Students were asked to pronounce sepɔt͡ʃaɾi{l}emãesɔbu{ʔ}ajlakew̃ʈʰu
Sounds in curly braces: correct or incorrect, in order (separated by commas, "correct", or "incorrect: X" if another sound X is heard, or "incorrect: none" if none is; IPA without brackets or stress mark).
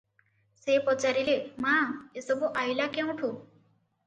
correct, correct